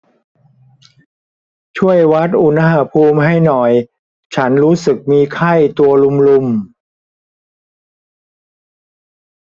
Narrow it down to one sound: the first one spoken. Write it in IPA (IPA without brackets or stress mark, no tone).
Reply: t͡ɕʰ